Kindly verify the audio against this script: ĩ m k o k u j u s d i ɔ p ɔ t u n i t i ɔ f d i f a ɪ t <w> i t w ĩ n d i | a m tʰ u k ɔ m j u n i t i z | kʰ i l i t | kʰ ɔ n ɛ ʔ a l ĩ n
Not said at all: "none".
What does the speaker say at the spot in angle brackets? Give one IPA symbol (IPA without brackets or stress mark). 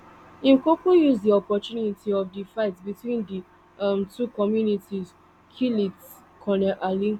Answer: b